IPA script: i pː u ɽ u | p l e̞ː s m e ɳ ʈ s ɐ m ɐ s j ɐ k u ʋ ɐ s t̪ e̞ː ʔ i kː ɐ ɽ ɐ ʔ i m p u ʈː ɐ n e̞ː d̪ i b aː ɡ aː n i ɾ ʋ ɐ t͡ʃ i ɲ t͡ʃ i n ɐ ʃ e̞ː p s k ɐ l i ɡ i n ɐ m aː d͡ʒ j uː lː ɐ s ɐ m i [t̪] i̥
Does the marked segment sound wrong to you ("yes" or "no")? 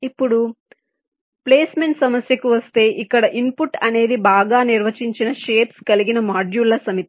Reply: no